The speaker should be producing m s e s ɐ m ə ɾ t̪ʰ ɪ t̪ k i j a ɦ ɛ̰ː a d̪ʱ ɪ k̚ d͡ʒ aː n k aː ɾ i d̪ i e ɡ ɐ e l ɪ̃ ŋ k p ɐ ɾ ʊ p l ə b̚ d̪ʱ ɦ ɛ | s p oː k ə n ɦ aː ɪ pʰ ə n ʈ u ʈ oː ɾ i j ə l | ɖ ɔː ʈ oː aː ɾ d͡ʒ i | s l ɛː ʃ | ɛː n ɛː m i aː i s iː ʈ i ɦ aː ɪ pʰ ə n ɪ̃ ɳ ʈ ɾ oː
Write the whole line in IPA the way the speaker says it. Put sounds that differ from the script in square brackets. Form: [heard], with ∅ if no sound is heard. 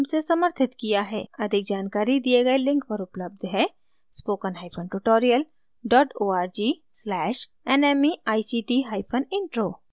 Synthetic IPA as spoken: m s e s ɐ m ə ɾ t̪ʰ ɪ t̪ k i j a ɦ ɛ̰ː [ɐ] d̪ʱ ɪ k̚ d͡ʒ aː n k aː ɾ i d̪ i e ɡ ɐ e l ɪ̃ ŋ k p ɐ ɾ ʊ p l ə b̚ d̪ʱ ɦ ɛ | s p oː k ə n ɦ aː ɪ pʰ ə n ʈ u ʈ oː ɾ i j ə l | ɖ ɔː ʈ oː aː ɾ d͡ʒ i | s l ɛː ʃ | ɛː n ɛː m i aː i s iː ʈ i ɦ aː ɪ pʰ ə n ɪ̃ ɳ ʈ ɾ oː